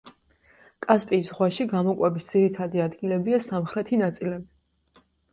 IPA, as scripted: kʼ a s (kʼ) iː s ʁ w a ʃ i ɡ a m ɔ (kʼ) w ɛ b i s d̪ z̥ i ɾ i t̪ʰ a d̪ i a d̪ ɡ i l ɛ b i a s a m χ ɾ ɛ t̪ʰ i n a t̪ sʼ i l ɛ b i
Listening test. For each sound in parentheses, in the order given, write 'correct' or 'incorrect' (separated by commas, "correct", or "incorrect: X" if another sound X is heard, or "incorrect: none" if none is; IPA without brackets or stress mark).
incorrect: pʼ, correct